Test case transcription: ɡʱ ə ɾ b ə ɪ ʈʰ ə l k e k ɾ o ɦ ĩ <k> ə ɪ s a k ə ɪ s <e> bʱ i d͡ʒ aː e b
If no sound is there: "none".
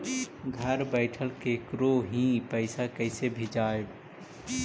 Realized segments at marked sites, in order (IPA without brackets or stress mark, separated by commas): p, e